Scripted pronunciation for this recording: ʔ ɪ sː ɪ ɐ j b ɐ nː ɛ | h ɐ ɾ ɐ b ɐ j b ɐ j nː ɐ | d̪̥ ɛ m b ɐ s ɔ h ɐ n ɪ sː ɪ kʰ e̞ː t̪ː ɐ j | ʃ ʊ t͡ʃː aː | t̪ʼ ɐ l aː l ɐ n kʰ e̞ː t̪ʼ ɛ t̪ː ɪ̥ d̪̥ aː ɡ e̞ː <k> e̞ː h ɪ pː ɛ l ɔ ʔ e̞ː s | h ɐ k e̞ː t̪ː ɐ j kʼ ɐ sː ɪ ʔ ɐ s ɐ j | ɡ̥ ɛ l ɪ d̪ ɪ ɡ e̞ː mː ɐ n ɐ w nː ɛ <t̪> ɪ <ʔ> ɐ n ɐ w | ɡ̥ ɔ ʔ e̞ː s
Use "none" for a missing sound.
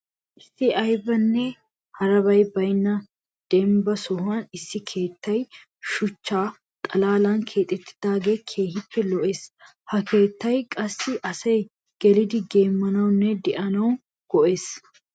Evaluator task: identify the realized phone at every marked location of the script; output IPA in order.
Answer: kʰ, d̪, ʔ

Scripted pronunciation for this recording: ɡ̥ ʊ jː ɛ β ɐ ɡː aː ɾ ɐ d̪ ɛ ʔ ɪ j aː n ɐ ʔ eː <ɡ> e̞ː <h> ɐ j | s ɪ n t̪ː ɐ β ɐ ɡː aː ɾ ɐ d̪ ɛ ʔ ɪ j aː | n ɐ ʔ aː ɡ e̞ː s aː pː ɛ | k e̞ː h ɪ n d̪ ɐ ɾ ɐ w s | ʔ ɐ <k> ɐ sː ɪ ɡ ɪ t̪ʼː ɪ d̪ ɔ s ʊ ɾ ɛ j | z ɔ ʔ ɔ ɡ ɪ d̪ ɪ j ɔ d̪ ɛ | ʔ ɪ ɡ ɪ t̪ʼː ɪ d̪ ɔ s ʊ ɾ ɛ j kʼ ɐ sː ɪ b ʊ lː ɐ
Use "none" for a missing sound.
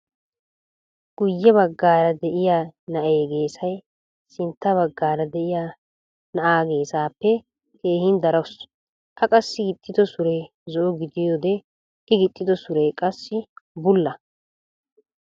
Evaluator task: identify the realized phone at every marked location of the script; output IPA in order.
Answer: ɡ, s, kʼ

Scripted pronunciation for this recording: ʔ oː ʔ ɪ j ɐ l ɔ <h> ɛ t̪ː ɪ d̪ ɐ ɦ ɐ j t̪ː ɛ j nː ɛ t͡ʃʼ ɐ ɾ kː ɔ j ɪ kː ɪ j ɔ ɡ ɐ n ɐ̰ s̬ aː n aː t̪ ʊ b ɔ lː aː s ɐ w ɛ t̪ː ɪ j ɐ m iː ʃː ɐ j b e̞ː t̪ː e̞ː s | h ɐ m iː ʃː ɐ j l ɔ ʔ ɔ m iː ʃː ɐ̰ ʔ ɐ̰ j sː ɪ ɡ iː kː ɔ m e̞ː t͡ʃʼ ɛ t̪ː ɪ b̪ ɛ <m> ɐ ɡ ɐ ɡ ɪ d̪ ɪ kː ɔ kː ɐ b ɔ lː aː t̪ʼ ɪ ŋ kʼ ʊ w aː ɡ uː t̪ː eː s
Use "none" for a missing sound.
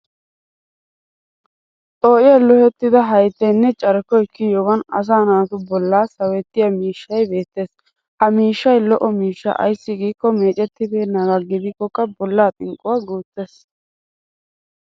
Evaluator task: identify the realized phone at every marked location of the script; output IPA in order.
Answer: h, n

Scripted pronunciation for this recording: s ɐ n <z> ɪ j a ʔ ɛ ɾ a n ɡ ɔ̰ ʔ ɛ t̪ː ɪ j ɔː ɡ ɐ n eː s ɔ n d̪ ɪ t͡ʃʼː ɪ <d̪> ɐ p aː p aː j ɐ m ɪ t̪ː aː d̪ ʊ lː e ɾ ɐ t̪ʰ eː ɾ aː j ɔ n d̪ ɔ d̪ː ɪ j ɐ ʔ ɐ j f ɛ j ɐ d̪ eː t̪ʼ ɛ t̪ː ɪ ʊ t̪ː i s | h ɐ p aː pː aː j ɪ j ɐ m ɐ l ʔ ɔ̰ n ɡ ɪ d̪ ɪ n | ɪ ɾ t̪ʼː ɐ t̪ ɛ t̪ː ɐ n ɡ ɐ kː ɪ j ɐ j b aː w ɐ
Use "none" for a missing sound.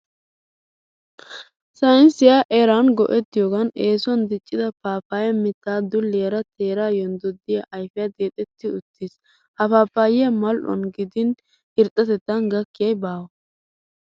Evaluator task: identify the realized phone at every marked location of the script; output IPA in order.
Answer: s, d̪

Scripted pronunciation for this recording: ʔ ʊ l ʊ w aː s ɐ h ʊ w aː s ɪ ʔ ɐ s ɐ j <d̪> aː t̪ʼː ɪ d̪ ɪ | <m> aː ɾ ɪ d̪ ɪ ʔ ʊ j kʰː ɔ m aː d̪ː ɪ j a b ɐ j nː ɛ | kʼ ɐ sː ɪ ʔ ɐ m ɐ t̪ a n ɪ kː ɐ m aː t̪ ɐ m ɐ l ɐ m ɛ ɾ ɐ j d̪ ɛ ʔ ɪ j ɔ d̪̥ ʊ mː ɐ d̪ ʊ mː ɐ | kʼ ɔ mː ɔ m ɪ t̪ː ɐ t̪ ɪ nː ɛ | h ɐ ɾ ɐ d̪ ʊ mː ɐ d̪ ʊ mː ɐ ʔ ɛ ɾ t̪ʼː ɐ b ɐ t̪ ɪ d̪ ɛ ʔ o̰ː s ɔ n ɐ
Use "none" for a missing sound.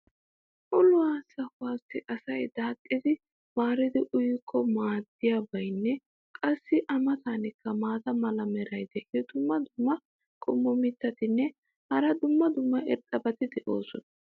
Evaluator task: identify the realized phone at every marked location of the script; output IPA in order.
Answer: d̪, m

